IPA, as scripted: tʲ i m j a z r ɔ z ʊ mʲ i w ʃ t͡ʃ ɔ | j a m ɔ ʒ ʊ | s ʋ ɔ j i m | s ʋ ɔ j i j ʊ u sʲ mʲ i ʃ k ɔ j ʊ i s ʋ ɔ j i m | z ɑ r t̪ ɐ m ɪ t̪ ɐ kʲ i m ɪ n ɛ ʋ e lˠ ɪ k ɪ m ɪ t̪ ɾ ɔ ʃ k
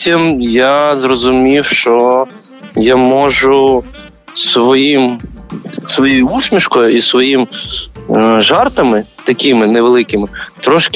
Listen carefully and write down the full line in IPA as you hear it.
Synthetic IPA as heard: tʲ i m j a z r ɔ z ʊ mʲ i w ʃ t͡ʃ ɔ | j a m ɔ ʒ ʊ | s ʋ ɔ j i m | s ʋ ɔ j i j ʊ u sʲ mʲ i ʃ k ɔ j ʊ i s ʋ ɔ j i m | ʒ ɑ r t̪ ɐ m ɪ t̪ ɐ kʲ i m ɪ n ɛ ʋ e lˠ ɪ k ɪ m ɪ t̪ ɾ ɔ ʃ k